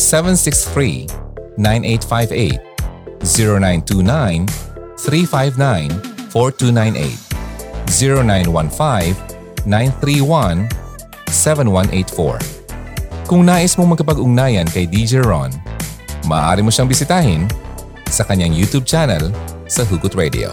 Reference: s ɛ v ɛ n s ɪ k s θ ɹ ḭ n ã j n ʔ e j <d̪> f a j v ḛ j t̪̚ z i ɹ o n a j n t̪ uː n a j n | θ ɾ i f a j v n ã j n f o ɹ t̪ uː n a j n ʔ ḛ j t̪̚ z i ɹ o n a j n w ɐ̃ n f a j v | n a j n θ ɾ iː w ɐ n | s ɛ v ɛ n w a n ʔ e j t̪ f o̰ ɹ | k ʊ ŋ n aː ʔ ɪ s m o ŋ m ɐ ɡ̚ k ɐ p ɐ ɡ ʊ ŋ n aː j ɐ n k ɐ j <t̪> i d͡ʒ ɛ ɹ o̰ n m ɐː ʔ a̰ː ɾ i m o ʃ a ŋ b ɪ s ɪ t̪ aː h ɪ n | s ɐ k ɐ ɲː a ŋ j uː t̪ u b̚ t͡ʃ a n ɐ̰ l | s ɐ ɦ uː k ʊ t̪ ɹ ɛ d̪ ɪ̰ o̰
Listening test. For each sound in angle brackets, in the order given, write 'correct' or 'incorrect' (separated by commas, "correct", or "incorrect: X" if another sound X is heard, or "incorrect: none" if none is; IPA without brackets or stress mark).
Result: incorrect: t̪, incorrect: d̪